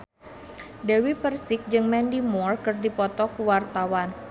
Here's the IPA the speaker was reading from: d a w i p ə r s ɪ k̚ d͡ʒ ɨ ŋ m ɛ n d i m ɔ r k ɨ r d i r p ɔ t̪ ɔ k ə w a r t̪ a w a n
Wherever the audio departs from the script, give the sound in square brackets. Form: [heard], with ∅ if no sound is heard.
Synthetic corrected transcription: d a w i p ə r s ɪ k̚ d͡ʒ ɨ ŋ m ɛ n d i m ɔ r k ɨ r d i [∅] p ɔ t̪ ɔ k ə w a r t̪ a w a n